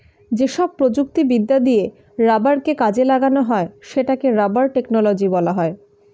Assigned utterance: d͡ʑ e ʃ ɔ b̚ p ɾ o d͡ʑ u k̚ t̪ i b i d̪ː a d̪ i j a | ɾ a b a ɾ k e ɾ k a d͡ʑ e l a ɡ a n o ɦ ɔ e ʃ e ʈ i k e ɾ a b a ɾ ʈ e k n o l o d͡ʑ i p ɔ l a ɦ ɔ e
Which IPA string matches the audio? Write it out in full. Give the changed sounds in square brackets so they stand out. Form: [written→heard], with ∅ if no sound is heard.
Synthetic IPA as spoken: d͡ʑ e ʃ ɔ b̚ p ɾ o d͡ʑ u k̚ t̪ i b i d̪ː a d̪ i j [a→e] | ɾ a b a ɾ k e [ɾ→∅] k a d͡ʑ e l a ɡ a n o ɦ ɔ e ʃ e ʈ [i→a] k e ɾ a b a ɾ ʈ e k n o l o d͡ʑ i [p→b] ɔ l a ɦ ɔ e